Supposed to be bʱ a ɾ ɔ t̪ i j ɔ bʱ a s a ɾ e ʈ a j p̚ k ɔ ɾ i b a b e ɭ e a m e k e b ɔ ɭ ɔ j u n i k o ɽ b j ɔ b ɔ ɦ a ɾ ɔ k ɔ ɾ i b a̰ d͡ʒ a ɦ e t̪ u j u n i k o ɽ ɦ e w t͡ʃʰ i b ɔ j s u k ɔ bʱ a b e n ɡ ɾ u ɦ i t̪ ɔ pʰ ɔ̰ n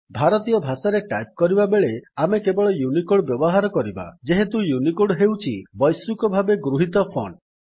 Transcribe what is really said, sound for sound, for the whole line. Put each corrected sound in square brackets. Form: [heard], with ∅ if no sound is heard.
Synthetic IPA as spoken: bʱ a ɾ ɔ t̪ i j ɔ bʱ a s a ɾ e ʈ a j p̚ k ɔ ɾ i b a b e ɭ e a m e k e b ɔ ɭ ɔ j u n i k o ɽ b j ɔ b ɔ ɦ a ɾ ɔ k ɔ ɾ i b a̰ d͡ʒ [e] ɦ e t̪ u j u n i k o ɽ ɦ e w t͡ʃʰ i b ɔ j s u k ɔ bʱ a b e [∅] ɡ ɾ u ɦ i t̪ ɔ pʰ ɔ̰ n